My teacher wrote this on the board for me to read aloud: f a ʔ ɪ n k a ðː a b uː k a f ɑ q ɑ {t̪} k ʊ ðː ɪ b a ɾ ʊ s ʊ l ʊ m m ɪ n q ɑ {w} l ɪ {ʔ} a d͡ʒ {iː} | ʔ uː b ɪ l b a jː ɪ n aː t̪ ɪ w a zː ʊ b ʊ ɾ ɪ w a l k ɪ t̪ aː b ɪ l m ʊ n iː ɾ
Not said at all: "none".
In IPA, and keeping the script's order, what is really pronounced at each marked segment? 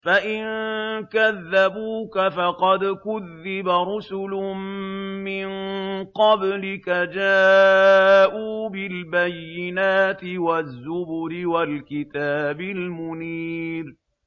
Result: d̪, b, k, aː

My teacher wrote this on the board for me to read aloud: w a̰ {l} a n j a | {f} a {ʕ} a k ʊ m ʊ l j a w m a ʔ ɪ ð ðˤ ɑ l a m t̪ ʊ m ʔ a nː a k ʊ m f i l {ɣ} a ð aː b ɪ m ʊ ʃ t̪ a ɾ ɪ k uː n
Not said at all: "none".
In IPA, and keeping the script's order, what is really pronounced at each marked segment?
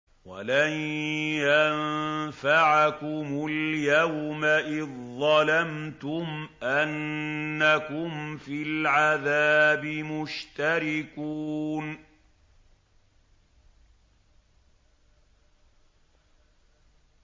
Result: l, f, ʕ, ʕ

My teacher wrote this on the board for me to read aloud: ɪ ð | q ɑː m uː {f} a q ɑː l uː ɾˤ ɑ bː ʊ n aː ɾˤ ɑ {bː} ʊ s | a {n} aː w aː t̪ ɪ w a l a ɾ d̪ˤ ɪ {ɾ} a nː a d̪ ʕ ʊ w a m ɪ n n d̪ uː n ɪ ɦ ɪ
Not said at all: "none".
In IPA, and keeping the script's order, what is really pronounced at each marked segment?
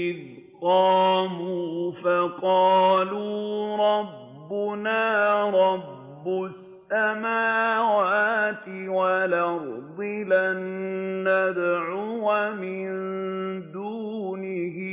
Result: f, bː, m, l

